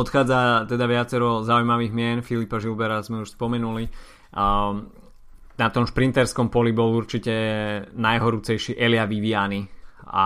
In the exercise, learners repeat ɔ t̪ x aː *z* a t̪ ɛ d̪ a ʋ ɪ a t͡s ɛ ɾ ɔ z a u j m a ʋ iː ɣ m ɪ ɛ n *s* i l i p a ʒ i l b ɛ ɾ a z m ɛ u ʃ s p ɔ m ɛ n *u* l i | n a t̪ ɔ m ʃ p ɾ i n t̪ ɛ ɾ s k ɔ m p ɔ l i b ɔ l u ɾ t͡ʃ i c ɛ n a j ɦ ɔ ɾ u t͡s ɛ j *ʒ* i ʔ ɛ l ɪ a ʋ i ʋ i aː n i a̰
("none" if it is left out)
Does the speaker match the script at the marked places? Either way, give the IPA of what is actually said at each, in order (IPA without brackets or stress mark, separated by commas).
d͡z, f, u, ʃ